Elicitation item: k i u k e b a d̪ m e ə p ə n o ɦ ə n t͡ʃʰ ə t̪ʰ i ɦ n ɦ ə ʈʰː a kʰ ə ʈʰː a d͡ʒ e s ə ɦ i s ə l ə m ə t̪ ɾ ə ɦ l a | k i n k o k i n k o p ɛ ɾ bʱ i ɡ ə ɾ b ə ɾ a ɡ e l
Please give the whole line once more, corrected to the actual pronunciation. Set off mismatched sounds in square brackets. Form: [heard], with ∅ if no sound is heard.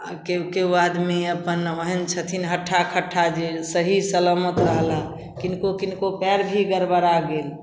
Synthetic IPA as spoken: k [e] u k e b a d̪ m e ə p ə n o ɦ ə n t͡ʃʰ ə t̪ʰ i [∅] n ɦ ə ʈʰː a kʰ ə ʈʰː a d͡ʒ e s ə ɦ i s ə l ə m ə t̪ ɾ ə ɦ l a | k i n k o k i n k o p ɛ ɾ bʱ i ɡ ə ɾ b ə ɾ a ɡ e l

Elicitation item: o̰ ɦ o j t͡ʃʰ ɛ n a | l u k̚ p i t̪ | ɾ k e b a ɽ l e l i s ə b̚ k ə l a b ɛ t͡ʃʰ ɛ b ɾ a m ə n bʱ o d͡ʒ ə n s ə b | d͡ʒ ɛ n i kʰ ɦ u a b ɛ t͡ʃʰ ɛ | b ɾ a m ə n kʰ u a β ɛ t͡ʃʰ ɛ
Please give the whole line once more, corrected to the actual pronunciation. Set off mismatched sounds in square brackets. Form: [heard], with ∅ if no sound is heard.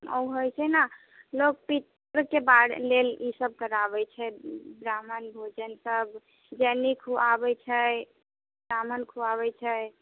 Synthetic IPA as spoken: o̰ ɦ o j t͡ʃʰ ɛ n a | l [o] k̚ p i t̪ | ɾ k e b a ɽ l e l i s ə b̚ k ə [ɾ] a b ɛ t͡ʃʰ ɛ b ɾ a m ə n bʱ o d͡ʒ ə n s ə b | d͡ʒ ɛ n i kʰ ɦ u a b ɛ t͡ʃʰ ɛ | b ɾ a m ə n kʰ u a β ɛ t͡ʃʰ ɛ

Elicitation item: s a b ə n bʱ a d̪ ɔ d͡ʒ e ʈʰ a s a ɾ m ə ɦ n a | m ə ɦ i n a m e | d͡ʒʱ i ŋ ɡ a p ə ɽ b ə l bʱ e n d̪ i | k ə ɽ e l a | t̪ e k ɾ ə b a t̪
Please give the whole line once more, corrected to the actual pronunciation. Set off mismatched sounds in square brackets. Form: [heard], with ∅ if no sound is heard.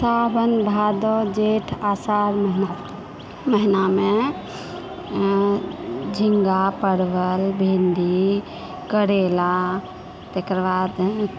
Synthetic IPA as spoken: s a b ə n bʱ a d̪ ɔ d͡ʒ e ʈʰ a s a ɾ m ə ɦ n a | m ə ɦ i n a m e | d͡ʒʱ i ŋ ɡ a p ə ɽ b ə l bʱ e n d̪ i | k ə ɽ e l a | t̪ e k ɾ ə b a [d̪]

